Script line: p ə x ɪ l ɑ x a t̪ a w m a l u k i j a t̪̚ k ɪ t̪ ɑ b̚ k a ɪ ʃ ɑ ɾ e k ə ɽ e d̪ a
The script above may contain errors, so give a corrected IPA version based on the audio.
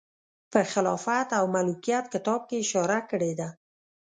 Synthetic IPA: p ə x ɪ l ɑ f a t̪ a w m a l u k i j a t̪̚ k ɪ t̪ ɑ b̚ k e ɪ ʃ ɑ ɾ a k ə ɽ e d̪ a